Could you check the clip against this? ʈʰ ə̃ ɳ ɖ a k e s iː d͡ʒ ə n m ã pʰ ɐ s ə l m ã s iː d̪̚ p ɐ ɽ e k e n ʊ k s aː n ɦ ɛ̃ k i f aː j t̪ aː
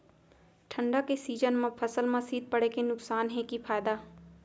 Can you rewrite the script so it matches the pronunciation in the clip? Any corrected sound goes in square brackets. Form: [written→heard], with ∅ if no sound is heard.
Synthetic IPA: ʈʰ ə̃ ɳ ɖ a k e s iː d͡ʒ ə n m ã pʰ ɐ s ə l m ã s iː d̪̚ p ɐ ɽ e k e n ʊ k s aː n ɦ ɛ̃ k i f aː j [t̪→d̪] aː